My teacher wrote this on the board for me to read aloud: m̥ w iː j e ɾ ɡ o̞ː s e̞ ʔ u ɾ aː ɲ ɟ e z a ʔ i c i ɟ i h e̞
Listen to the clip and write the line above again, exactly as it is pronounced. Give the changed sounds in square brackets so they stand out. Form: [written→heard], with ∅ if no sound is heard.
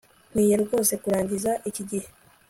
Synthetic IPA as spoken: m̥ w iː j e ɾ ɡ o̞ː s e̞ [ʔ→k] u ɾ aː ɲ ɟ [e→i] z a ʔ i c i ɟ i h e̞